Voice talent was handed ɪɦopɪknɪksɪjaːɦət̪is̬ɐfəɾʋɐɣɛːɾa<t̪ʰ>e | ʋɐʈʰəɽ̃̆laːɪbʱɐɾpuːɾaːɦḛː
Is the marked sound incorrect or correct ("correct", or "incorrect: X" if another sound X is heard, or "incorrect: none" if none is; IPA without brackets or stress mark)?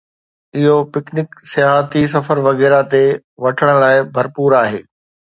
incorrect: t̪